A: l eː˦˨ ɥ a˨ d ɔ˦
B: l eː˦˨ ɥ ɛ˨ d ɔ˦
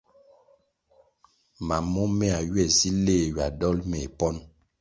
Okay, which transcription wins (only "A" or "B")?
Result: A